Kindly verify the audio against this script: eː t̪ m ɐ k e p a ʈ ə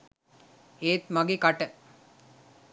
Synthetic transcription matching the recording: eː t̪ m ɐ ɡ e k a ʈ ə

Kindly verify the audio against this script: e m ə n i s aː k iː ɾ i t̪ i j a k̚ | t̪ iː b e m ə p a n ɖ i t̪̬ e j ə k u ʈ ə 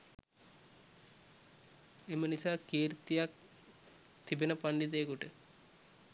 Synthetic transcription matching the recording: e m ə n i s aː k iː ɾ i t̪ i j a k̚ | t̪ i b e n ə p a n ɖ i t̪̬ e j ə k u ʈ ə

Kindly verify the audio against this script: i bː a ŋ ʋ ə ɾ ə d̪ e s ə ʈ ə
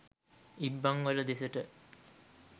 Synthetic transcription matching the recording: i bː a ŋ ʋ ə l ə d̪ e s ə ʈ ə

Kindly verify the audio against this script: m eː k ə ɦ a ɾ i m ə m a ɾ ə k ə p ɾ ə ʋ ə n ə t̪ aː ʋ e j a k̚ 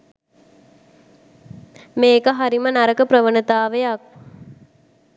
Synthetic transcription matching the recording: m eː k ə ɦ a ɾ i m ə n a ɾ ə k ə p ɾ ə ʋ ə n ə t̪ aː ʋ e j a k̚

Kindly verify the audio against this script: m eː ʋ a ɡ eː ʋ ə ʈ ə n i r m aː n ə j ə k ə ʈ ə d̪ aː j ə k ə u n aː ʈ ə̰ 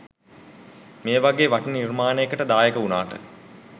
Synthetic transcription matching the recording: m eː ʋ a ɡ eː ʋ a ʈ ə n i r m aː n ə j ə k ə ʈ ə d̪ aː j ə k ə u n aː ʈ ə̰

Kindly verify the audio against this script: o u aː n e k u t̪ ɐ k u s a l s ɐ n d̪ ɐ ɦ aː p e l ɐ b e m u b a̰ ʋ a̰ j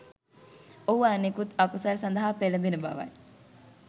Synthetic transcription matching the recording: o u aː n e k u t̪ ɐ k u s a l s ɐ n d̪ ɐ ɦ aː p e l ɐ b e n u b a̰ ʋ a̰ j

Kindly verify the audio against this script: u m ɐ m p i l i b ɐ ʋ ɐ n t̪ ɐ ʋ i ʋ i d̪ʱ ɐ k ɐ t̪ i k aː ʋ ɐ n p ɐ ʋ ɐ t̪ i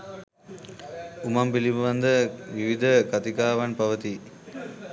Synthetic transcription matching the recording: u m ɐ m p i l i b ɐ ʋ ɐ n d̪ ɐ ʋ i ʋ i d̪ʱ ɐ k ɐ t̪ i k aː ʋ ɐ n p ɐ ʋ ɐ t̪ i

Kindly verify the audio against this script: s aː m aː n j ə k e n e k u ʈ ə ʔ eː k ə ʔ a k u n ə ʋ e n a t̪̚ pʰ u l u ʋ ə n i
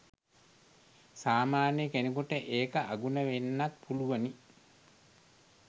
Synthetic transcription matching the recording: s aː m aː n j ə k e n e k u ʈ ə ʔ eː k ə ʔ a ɡ u n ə ʋ e nː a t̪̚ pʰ u l u ʋ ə n i

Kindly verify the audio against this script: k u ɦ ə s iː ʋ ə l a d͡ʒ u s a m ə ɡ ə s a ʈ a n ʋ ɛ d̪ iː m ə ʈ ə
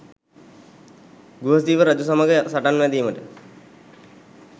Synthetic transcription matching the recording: ɡ u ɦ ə s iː ʋ ə ɾ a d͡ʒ u s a m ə ɡ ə s a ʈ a n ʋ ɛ d̪ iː m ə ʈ ə

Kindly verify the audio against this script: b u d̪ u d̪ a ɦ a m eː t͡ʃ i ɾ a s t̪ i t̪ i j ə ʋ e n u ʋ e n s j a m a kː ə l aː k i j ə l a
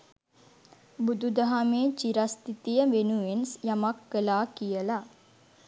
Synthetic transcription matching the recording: b u d̪ u d̪ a ɦ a m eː t͡ʃ i ɾ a s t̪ i t̪ i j ə ʋ e n u ʋ e n s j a m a kː ə l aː k i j ə l a

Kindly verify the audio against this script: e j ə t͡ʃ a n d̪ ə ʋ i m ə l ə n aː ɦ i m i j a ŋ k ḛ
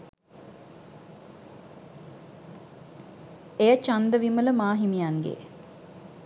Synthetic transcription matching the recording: e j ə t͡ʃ a n d̪ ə ʋ i m ə l ə m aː ɦ i m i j a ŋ ɡ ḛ

